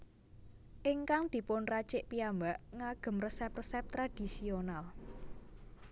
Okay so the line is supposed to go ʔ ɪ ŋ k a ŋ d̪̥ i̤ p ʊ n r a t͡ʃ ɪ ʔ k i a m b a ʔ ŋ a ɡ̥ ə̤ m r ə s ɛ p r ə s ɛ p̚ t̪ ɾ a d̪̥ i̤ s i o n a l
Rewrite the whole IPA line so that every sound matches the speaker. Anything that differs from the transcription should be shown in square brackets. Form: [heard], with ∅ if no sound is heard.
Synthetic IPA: ʔ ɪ ŋ k a ŋ d̪̥ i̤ p ʊ n r a t͡ʃ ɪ ʔ [p] i a m b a ʔ ŋ a ɡ̥ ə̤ m r ə s ɛ p r ə s ɛ p̚ t̪ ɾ a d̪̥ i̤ s i o n a l